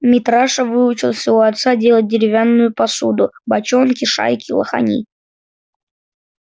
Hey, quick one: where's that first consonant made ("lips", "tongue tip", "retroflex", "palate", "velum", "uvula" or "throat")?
lips